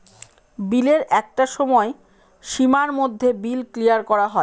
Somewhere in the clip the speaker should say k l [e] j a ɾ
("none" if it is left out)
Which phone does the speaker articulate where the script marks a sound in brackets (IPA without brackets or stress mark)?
i